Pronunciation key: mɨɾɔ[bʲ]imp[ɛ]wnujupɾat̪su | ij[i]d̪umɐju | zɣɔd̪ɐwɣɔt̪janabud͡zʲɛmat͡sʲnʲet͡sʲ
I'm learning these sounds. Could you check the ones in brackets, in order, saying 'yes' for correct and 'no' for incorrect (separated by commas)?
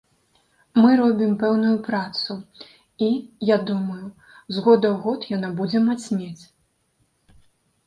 yes, yes, no